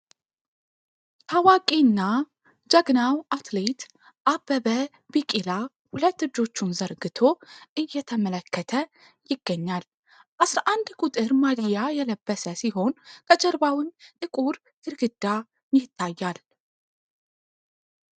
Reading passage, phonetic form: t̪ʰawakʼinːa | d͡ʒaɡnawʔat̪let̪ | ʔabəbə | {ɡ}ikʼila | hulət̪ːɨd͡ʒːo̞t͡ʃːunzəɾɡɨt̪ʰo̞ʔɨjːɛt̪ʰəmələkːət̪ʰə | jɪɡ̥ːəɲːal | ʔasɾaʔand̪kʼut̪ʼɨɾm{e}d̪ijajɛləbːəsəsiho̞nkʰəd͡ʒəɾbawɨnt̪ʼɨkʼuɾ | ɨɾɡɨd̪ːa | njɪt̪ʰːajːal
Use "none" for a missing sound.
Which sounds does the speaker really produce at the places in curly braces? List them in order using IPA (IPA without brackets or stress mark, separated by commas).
b, a